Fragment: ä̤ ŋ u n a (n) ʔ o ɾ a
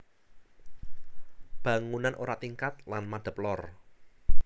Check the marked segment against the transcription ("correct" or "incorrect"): correct